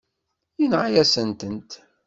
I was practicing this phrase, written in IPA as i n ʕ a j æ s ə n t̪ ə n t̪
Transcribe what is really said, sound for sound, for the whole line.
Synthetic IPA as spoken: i n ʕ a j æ s ə n t̪ ə n t̪

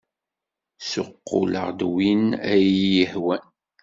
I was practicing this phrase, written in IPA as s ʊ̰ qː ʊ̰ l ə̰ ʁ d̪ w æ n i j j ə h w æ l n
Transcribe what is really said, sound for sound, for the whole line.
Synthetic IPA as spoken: s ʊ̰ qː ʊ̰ l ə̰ ʁ d̪ w i n æ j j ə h w æ n

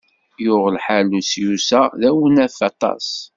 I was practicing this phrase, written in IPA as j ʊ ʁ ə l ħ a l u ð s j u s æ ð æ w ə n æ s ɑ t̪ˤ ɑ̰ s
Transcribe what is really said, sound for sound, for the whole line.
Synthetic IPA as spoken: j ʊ ʁ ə l ħ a l u s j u s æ ð æ w ə n æ f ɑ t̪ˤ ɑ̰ s

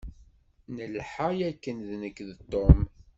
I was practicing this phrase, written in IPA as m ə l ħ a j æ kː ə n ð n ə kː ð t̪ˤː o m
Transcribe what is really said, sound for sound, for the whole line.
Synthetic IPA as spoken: n ə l ħ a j æ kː ə n ð n ə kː ð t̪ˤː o m

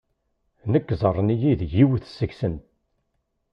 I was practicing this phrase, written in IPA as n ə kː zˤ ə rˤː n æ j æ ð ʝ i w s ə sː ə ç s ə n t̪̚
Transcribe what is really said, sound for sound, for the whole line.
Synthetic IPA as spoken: n ə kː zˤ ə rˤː n i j i ð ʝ i w θ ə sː ə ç s ə n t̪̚

